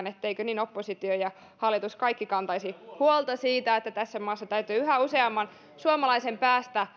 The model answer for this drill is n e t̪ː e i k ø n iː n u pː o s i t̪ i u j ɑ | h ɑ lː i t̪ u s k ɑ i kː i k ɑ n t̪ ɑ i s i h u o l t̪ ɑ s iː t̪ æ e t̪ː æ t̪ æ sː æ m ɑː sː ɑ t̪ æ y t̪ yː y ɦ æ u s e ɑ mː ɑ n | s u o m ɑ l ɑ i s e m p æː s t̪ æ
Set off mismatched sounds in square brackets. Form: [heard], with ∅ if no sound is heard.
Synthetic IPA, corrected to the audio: n e t̪ː e i k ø n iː n [o] pː o s i t̪ i [o] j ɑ | h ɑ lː i t̪ u s k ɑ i kː i k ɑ n t̪ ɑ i s i h u o l t̪ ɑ s iː t̪ æ e t̪ː æ t̪ æ sː æ m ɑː sː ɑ t̪ æ y t̪ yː y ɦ æ u s e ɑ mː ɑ n | s u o m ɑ l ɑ i s e m p æː s t̪ æ